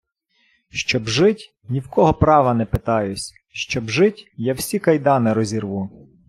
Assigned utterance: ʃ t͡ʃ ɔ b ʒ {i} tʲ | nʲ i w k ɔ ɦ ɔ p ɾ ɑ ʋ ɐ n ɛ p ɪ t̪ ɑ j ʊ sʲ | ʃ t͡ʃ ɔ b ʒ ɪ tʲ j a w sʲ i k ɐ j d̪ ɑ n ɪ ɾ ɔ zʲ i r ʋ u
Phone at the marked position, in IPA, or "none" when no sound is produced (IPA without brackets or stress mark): ɪ